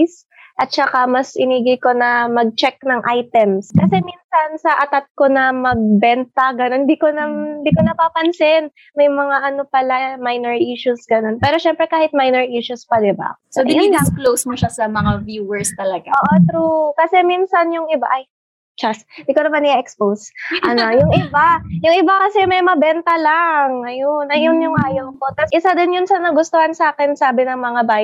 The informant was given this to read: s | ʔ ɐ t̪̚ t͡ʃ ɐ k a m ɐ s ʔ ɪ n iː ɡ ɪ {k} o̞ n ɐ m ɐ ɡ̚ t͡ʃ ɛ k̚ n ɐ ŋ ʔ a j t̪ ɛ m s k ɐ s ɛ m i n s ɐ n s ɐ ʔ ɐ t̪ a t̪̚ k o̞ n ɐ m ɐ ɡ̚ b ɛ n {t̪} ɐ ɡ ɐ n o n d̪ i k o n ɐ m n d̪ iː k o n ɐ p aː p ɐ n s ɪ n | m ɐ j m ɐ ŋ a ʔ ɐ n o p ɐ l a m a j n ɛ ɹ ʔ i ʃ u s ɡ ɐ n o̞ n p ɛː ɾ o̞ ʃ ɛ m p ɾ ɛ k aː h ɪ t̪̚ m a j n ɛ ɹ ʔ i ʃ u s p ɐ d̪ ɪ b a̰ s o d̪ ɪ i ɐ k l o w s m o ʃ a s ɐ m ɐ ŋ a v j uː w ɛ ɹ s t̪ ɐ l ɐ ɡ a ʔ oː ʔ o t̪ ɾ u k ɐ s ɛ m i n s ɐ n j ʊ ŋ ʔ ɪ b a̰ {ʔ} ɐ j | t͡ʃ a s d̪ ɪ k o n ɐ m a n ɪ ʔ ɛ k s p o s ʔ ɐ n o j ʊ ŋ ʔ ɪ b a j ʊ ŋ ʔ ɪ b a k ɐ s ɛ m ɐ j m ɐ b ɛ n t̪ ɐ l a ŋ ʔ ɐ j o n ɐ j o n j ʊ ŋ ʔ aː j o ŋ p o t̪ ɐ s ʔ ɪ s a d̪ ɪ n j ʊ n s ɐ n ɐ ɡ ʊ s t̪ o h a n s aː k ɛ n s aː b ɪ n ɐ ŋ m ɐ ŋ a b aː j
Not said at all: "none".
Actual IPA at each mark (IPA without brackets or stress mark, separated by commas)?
k, t̪, ʔ